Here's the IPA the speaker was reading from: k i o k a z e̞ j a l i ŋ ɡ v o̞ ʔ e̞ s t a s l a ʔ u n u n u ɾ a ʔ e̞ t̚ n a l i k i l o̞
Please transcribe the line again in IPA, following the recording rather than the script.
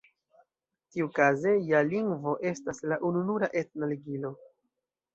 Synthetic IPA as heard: t i u k a z e̞ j a l i ŋ ɡ v o̞ ʔ e̞ s t a s l a ʔ u n u n u ɾ a ʔ e̞ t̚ n a l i ɡ i l o̞